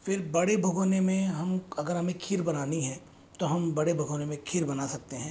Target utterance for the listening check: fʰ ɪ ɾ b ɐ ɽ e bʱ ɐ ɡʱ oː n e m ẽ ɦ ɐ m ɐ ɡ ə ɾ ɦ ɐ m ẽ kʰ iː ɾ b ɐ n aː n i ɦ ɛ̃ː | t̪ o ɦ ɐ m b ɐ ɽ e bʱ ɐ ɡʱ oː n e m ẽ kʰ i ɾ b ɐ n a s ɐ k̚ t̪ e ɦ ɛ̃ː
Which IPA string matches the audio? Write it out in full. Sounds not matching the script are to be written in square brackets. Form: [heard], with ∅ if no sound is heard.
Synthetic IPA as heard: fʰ ɪ ɾ b ɐ ɽ e bʱ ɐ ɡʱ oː n e m ẽ ɦ ɐ m ɐ ɡ ə ɾ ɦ ɐ m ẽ kʰ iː ɾ b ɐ n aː n i ɦ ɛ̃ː | t̪ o ɦ ɐ m b ɐ ɽ e bʱ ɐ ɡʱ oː n e m ẽ kʰ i ɾ b ɐ n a s ɐ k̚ t̪ e ɦ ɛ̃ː